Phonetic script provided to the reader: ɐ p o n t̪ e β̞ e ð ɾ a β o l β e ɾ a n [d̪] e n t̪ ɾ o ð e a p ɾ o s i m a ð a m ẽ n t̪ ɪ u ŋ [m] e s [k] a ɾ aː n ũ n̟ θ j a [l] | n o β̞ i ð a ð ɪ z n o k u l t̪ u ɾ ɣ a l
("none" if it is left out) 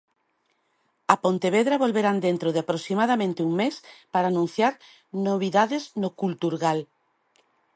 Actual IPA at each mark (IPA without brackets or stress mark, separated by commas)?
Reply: d̪, m, p, ɾ